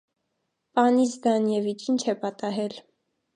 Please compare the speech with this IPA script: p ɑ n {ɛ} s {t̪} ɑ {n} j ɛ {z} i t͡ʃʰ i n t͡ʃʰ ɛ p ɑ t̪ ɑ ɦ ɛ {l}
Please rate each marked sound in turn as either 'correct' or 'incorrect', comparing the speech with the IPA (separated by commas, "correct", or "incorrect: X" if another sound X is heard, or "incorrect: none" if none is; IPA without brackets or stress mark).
incorrect: i, incorrect: d̪, correct, incorrect: v, correct